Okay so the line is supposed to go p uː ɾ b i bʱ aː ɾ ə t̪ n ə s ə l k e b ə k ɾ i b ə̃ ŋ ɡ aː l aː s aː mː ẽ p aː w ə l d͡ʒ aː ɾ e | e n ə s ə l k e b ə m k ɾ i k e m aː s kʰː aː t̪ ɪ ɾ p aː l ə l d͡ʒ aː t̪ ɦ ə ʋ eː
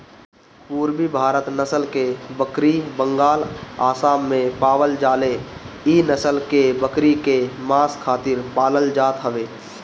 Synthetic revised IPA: p uː ɾ b i bʱ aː ɾ ə t̪ n ə s ə l k e b ə k ɾ i b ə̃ ŋ ɡ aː l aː s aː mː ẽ p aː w ə l d͡ʒ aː l e | i n ə s ə l k e b ə k ɾ i k e m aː s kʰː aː t̪ ɪ ɾ p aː l ə l d͡ʒ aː t̪ ɦ ə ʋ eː